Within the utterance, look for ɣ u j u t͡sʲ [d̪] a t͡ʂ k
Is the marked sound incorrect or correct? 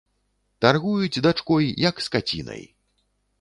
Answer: correct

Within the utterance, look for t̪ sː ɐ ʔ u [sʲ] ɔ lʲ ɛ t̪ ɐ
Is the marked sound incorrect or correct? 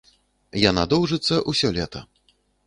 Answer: correct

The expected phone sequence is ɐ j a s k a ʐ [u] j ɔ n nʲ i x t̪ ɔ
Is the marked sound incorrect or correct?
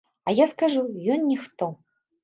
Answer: correct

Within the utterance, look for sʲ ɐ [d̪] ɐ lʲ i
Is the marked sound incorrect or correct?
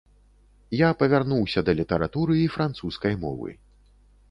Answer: correct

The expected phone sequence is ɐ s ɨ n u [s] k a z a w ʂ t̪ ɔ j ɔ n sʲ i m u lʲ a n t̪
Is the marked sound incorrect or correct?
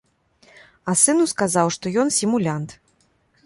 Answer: correct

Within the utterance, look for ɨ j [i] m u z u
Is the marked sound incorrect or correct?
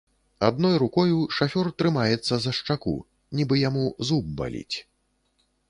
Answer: incorrect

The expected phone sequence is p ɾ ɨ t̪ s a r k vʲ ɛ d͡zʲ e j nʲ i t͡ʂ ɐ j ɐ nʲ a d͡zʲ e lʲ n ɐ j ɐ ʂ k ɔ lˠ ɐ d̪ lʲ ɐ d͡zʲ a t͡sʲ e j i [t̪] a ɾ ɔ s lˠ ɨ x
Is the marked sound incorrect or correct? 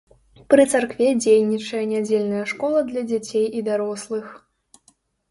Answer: incorrect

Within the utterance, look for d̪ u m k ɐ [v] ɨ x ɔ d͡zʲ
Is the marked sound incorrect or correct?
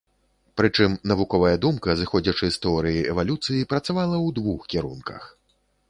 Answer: incorrect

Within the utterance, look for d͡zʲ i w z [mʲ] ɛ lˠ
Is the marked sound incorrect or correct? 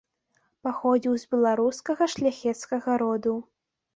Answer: incorrect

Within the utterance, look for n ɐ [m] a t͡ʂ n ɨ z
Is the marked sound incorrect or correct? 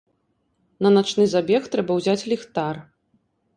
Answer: incorrect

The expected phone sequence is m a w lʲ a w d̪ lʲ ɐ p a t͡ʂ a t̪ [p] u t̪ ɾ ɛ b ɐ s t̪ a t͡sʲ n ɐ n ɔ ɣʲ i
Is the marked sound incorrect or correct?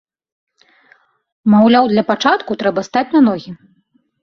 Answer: incorrect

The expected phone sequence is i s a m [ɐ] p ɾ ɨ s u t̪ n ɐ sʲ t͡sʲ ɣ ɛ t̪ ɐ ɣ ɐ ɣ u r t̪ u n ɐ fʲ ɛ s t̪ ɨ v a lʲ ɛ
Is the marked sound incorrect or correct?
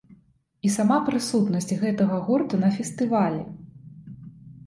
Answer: incorrect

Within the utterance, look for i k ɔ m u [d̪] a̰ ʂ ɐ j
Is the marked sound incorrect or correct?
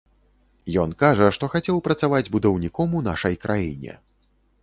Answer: incorrect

